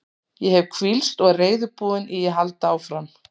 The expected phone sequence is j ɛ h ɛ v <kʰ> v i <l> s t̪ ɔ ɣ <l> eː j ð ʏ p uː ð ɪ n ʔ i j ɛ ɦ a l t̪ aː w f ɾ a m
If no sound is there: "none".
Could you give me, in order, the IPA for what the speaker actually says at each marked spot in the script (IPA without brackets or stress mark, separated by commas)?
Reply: kʰ, l, r